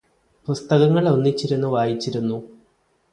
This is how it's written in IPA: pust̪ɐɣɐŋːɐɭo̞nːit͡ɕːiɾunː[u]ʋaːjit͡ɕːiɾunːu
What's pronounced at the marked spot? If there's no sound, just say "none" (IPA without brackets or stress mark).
u